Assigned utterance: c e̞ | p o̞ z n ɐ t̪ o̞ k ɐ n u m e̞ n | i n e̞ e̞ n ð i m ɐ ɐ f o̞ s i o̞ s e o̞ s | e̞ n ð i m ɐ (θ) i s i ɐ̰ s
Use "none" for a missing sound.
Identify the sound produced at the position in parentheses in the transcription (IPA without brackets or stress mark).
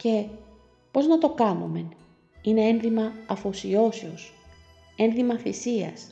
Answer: θ